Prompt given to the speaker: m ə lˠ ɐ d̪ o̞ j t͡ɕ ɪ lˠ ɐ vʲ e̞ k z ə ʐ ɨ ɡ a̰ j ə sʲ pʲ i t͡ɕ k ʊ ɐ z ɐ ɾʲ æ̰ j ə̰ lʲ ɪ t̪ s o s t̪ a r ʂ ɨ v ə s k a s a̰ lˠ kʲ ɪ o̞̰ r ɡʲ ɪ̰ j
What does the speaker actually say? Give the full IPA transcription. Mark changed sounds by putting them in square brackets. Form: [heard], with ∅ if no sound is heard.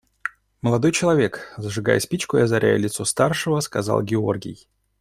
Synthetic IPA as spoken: m ə lˠ ɐ d̪ o̞ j t͡ɕ ɪ lˠ ɐ vʲ e̞ k z ə ʐ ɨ ɡ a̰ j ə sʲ pʲ i t͡ɕ k ʊ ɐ z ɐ ɾʲ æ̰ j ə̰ lʲ ɪ t̪ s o s t̪ a r ʂ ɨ v ə s k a [z] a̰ lˠ [ɡʲ] ɪ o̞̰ r ɡʲ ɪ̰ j